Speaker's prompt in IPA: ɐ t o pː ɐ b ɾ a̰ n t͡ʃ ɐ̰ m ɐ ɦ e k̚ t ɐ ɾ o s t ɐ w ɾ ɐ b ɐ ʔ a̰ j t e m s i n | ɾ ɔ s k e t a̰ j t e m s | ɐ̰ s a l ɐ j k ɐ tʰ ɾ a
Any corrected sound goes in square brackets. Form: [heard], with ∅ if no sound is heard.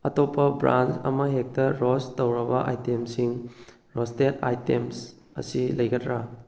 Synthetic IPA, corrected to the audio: ɐ t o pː ɐ b ɾ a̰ n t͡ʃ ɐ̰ m ɐ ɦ e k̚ t ɐ ɾ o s t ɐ w ɾ ɐ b ɐ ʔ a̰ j t e m s i [ŋ] | ɾ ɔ s [t] e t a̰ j t e m s | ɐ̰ s [i] l ɐ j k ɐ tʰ ɾ a